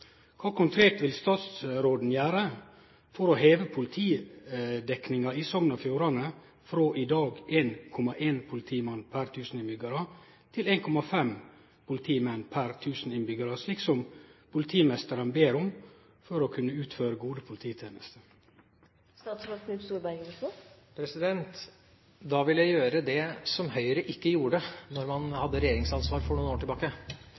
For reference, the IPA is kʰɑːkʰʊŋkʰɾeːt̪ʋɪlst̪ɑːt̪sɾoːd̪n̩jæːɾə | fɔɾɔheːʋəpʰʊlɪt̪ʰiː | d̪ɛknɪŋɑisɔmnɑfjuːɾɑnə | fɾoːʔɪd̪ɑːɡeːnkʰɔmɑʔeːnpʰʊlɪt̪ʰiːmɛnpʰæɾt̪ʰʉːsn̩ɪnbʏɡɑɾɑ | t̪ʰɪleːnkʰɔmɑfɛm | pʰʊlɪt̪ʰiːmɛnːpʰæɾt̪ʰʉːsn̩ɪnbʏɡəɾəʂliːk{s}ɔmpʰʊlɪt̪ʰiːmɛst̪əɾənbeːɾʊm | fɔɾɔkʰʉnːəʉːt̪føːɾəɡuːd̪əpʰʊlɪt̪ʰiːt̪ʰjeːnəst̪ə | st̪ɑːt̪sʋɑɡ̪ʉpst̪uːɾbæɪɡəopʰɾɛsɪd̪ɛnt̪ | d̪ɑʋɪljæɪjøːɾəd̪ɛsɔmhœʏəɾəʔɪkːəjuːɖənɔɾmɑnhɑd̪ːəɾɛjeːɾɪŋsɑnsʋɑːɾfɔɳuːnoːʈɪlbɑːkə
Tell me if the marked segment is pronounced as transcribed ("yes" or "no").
yes